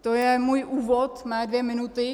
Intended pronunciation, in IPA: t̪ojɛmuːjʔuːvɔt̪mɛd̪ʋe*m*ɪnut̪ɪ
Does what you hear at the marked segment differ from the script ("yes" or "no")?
no